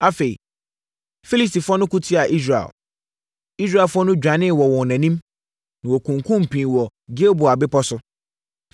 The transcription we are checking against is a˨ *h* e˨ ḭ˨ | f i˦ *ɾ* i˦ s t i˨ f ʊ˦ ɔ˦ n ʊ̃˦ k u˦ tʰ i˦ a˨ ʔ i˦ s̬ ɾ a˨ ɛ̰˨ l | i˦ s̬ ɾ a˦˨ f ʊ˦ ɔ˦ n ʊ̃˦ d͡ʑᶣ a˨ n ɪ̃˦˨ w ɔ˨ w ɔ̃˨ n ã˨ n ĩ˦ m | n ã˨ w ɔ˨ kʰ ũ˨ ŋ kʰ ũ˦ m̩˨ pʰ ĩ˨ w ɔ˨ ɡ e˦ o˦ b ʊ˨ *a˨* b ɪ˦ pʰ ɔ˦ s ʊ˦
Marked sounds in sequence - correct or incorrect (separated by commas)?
incorrect, incorrect, correct